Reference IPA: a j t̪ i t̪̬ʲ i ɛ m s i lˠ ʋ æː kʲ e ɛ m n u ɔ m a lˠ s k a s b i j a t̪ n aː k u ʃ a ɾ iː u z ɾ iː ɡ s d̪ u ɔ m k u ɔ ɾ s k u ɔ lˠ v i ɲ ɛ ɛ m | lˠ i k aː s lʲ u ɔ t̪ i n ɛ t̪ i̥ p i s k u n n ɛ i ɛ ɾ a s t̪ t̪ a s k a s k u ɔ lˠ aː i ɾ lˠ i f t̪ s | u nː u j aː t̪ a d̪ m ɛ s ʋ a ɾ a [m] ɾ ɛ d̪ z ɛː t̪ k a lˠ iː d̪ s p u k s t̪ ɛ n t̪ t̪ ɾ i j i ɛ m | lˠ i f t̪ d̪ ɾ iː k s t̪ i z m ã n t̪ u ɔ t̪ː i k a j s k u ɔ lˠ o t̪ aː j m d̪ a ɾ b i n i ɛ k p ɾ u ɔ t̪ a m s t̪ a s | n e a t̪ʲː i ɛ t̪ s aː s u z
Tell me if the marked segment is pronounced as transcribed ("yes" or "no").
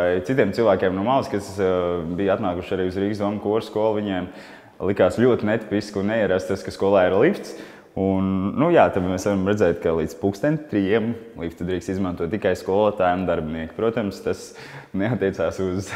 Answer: yes